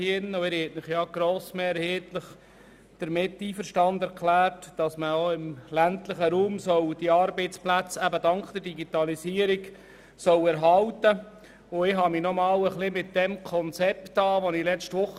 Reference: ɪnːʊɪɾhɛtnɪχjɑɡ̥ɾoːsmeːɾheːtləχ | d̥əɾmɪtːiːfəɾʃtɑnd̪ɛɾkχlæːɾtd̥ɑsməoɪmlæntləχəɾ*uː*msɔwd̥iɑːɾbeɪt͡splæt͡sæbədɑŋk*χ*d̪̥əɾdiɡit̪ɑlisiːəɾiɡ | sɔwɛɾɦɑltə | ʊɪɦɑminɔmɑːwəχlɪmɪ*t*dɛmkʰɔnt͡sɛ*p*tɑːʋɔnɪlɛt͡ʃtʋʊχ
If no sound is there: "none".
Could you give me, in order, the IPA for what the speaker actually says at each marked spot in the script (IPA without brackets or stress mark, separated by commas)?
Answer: uː, χ, t, p